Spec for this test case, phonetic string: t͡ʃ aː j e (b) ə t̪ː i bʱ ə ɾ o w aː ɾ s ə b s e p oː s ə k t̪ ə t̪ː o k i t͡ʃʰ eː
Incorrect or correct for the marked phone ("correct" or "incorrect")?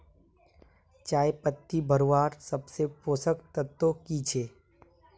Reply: incorrect